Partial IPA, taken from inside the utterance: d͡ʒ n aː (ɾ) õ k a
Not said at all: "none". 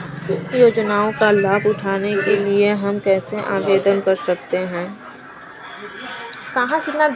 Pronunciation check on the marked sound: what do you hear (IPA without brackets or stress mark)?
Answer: none